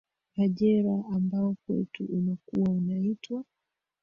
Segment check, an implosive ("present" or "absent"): present